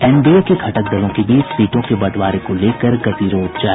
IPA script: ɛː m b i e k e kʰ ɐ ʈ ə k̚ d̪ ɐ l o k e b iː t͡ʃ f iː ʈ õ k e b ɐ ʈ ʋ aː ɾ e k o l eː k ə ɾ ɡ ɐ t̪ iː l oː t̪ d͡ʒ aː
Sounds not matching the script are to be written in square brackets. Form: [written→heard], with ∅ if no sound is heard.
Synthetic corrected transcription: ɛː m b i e k e kʰ ɐ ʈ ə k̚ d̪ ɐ l [o→õ] k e b iː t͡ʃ [f→s] iː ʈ õ k e b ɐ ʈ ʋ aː ɾ e k o l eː k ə ɾ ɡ ɐ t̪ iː [l→ɾ] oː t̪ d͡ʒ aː